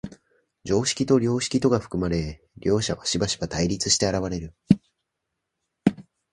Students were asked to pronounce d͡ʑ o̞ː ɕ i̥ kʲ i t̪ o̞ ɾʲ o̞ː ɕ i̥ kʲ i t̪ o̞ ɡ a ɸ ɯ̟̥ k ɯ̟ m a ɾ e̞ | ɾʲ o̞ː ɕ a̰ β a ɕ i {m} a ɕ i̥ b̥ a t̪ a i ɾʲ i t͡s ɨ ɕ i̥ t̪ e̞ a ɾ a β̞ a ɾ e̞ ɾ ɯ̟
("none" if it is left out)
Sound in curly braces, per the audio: b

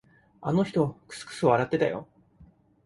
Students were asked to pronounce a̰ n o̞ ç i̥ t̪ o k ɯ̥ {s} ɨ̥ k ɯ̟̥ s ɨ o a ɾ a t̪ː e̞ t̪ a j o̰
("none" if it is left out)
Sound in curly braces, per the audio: s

